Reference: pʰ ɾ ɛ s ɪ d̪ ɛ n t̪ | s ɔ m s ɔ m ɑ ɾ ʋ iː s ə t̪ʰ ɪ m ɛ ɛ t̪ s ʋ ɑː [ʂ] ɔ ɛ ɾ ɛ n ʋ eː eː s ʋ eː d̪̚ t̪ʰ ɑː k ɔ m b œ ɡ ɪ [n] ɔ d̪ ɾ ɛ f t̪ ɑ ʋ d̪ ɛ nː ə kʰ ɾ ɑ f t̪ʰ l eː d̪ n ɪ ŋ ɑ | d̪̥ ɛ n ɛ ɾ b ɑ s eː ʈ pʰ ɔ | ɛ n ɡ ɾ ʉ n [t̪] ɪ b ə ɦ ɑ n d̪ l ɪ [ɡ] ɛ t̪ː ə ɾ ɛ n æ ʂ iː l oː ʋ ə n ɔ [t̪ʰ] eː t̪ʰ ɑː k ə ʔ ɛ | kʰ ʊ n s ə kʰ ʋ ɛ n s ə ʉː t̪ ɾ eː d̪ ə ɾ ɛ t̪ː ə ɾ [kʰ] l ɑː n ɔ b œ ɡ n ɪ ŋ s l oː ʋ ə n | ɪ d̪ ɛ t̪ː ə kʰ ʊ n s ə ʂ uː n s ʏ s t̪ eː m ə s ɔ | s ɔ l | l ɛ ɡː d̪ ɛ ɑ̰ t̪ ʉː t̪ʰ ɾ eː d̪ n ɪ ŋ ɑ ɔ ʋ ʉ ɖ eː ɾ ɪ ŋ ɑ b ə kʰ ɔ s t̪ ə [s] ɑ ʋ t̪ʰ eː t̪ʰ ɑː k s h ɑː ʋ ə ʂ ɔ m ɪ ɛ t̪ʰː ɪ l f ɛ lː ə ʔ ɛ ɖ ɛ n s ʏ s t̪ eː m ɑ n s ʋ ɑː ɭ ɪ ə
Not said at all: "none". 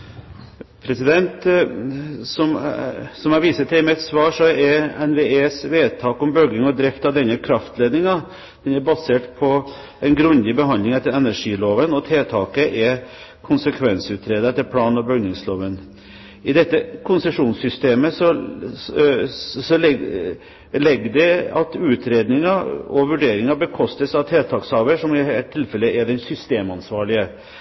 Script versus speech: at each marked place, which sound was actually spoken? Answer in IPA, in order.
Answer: ʂ, ŋ, d̪, ŋ, t̪ʰ, pʰ, s

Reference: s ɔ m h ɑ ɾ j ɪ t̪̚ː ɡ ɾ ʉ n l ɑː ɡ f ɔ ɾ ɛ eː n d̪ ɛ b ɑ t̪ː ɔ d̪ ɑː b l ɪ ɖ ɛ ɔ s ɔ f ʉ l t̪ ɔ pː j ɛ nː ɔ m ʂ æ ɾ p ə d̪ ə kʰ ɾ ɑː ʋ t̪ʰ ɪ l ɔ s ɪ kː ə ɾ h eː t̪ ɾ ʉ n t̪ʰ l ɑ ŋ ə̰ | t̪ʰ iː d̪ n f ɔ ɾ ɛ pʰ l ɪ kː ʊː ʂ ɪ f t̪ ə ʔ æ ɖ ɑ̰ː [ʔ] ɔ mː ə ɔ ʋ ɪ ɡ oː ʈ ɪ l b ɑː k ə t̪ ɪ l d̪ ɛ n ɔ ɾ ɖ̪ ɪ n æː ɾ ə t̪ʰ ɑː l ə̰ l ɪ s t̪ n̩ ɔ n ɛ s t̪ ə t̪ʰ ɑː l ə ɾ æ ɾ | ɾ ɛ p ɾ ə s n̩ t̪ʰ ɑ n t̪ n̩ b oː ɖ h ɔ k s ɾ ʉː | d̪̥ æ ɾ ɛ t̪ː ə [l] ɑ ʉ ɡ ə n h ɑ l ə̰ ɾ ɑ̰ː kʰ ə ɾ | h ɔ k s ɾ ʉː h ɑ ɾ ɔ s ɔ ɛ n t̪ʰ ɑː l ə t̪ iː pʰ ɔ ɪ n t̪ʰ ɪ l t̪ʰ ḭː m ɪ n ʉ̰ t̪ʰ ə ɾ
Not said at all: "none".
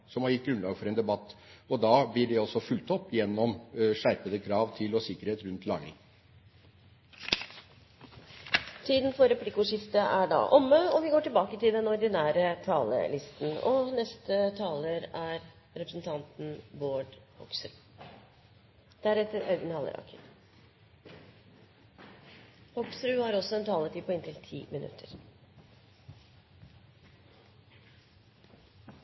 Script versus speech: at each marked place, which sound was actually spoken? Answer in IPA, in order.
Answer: ʔ, ɾ

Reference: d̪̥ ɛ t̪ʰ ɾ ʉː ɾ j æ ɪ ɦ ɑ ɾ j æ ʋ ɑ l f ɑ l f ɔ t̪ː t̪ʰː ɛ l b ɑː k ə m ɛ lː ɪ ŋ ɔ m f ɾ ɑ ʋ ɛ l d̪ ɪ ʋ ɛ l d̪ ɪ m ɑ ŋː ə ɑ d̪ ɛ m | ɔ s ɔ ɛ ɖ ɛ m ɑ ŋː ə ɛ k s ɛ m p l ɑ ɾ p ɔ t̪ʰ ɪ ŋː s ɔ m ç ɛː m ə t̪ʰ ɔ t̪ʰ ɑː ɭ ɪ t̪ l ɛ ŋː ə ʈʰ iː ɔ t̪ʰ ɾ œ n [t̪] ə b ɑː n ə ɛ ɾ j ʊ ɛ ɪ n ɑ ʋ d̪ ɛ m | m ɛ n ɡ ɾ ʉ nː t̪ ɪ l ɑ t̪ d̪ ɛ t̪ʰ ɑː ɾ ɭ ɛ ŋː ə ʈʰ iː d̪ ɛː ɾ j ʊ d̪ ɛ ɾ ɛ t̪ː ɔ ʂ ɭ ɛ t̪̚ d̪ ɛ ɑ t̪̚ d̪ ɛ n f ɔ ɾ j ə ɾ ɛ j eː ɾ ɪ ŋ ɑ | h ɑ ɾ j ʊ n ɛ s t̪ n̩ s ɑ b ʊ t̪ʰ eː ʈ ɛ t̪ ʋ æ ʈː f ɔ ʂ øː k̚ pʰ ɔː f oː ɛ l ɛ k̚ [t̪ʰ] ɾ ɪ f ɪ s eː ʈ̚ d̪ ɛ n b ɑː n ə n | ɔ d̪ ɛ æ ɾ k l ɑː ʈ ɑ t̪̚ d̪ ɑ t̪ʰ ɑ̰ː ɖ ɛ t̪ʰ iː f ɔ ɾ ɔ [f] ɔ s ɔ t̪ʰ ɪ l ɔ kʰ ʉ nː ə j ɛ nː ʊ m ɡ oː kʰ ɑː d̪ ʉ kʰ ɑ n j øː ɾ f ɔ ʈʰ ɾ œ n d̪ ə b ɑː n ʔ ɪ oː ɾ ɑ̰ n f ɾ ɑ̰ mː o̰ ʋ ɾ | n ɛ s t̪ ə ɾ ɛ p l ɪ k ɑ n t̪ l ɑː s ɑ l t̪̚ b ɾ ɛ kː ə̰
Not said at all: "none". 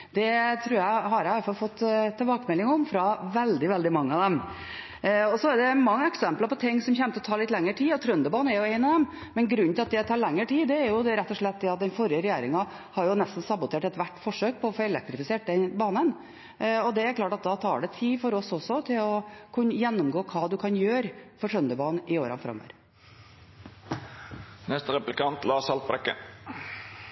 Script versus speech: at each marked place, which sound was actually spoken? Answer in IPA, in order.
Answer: d̪, t̪, s

